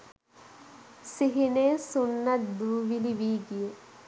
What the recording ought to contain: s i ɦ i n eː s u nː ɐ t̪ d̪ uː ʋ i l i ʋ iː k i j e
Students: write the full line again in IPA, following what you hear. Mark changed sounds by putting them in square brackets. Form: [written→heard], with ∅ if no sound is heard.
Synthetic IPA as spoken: s i ɦ i n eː s u nː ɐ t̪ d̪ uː ʋ i l i ʋ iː [k→ɡ] i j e